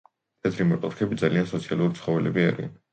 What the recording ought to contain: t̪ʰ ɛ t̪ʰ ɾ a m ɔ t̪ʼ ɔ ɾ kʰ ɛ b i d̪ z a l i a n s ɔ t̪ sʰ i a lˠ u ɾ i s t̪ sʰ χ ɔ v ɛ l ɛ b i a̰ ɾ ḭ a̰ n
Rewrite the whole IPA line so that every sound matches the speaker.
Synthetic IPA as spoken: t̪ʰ ɛ t̪ʰ ɾ i m ɔ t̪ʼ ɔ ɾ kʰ ɛ b i d̪ z a l i a n s ɔ t̪ sʰ i a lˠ u ɾ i t̪ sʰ χ ɔ v ɛ l ɛ b i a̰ ɾ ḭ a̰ n